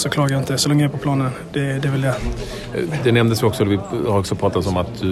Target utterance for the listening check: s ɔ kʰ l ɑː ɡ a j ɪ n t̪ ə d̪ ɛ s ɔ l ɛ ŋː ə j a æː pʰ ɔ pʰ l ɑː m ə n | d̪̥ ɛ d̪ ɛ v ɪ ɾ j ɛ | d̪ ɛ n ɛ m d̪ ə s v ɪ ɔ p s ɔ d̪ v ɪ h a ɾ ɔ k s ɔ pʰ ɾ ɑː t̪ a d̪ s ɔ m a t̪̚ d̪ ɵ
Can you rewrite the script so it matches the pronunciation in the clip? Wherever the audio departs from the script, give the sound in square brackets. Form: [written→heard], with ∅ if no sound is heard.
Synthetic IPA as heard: s ɔ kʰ l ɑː ɡ a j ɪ n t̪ ə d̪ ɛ s ɔ l ɛ ŋː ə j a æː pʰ ɔ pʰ l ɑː [m→n] ə n | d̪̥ ɛ d̪ ɛ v ɪ [ɾ→l] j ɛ | d̪ ɛ n ɛ m d̪ ə s v ɪ ɔ [p→k] s ɔ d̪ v ɪ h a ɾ ɔ k s ɔ pʰ ɾ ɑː t̪ a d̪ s ɔ m a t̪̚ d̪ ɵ